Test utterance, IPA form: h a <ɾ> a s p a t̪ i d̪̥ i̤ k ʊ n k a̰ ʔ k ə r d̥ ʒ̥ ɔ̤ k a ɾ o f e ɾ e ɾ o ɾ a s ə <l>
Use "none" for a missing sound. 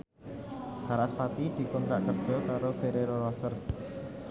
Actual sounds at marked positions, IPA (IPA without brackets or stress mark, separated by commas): ɾ, r